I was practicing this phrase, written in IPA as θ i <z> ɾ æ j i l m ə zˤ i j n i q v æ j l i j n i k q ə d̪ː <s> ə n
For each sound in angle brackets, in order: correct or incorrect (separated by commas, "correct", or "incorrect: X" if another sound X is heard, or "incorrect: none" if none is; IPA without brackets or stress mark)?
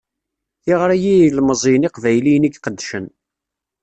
incorrect: ʁ, incorrect: ʃ